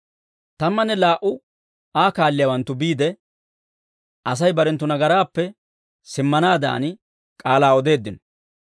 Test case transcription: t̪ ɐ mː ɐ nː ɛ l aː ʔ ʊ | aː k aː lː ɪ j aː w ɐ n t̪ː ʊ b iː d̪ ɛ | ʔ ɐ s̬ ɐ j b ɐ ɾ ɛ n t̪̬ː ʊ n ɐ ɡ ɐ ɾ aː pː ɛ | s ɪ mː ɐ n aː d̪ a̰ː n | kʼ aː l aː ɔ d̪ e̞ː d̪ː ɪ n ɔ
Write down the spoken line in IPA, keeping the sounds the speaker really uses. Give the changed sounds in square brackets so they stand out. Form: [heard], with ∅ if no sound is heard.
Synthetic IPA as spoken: t̪ ɐ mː ɐ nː ɛ l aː ʔ ʊ | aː k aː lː ɪ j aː w ɐ n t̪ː ʊ b iː d̪ ɛ | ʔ ɐ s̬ ɐ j b ɐ ɾ ɛ n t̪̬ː ʊ n ɐ ɡ ɐ ɾ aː pː ɛ | s ɪ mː ɐ n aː d̪ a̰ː n | kʼ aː l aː ɔ d̪ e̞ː d̪ː ɪ n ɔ